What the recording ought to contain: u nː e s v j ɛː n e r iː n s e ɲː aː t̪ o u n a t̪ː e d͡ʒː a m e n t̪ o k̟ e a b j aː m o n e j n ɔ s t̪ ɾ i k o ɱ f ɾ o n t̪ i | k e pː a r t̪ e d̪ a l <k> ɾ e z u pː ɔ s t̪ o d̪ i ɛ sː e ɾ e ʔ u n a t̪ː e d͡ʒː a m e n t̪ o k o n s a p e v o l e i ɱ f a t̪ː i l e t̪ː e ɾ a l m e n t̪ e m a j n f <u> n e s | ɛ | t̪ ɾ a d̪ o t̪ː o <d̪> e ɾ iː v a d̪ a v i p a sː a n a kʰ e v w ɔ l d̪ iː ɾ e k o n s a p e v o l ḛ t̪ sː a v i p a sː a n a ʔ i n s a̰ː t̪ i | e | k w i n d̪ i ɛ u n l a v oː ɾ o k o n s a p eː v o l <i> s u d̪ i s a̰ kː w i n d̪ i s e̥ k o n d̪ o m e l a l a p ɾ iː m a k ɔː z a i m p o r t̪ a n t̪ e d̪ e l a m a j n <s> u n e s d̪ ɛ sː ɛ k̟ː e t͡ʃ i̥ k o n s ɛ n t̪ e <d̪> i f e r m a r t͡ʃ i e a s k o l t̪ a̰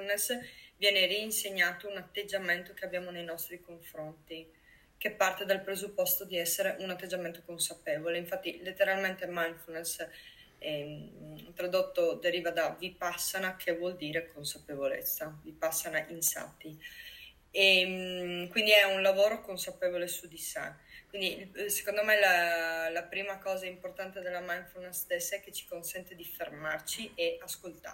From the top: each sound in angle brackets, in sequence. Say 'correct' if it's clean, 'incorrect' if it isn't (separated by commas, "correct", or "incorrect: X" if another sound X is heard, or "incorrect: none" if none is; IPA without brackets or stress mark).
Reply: incorrect: p, correct, correct, incorrect: e, incorrect: f, correct